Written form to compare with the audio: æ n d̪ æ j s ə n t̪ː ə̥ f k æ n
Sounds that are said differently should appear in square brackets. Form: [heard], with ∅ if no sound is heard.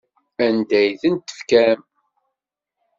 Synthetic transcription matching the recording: æ n d̪ æ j [θ] ə n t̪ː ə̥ f k æ [m]